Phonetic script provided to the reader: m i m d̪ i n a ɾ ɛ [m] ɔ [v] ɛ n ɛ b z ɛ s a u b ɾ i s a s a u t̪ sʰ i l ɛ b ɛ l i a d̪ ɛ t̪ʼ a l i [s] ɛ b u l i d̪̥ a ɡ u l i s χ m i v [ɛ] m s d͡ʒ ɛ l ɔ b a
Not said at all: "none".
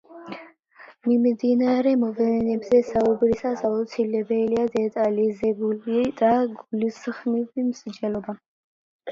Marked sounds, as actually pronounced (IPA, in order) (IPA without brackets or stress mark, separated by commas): m, v, z, i